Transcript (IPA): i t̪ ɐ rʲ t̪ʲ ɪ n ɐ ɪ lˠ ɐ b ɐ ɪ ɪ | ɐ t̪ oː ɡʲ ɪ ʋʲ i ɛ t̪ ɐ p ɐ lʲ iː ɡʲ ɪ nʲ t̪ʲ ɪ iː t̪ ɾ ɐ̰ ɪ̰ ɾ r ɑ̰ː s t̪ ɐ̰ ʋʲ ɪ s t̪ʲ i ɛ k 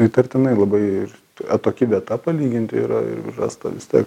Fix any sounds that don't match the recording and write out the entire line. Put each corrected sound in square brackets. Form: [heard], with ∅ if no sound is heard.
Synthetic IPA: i t̪ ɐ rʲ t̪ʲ ɪ n ɐ ɪ lˠ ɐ b ɐ ɪ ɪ | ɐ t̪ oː [kʲ] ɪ ʋʲ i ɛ t̪ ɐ p ɐ lʲ iː ɡʲ ɪ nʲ t̪ʲ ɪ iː [∅] ɾ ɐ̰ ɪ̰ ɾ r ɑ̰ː s t̪ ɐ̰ ʋʲ ɪ s t̪ʲ i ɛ k